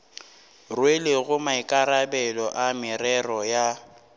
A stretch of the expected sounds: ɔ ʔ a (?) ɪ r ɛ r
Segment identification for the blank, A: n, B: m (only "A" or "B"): B